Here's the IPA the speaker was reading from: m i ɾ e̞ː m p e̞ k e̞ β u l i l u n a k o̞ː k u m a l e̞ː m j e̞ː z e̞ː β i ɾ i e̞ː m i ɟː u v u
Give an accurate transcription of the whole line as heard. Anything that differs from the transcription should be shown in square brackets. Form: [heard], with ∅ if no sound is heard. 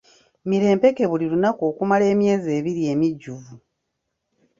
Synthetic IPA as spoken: m i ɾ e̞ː m p e̞ k e̞ β u l i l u n a k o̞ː k u m a l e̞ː m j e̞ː z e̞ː β i ɾ i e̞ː m i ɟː u v u